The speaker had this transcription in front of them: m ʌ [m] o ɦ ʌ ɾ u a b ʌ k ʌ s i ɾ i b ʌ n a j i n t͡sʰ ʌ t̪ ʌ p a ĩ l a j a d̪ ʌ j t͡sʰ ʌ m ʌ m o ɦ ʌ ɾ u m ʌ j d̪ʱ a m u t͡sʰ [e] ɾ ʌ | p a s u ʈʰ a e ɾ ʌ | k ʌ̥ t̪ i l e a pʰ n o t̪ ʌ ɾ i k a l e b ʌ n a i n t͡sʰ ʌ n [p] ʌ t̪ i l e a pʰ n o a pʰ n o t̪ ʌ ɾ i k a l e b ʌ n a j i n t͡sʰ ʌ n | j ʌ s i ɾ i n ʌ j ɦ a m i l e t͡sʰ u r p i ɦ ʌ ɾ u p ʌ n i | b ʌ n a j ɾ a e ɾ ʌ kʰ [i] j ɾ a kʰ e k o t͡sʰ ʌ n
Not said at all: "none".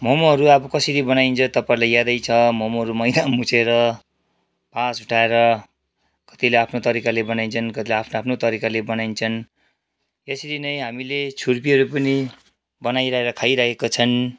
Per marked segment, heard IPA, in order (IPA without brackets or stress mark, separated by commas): m, e, k, a